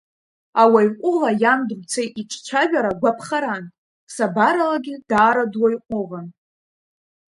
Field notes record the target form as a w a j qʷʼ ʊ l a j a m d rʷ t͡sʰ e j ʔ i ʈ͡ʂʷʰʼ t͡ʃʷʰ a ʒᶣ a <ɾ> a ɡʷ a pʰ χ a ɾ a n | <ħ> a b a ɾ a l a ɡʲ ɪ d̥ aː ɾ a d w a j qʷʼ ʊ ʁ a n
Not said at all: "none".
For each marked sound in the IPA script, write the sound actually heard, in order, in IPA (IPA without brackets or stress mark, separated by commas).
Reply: ɾ, s